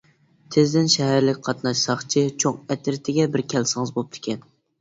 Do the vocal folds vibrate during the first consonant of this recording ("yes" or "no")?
no